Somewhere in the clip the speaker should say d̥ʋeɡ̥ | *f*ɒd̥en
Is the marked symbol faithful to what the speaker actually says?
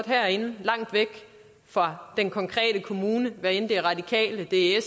yes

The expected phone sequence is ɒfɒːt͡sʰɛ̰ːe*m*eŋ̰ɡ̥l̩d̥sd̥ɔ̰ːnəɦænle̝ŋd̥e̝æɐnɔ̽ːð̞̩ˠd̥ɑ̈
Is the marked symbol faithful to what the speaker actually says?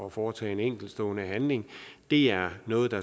no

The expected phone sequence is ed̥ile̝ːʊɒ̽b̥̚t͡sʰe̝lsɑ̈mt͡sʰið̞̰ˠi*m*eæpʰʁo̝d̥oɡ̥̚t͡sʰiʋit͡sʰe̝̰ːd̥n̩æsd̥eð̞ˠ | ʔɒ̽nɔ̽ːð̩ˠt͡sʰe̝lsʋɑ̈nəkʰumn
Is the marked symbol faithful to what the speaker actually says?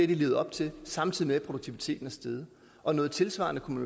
yes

